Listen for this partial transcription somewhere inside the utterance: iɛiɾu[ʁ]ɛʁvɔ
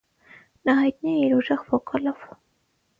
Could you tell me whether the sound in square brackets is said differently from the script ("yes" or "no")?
yes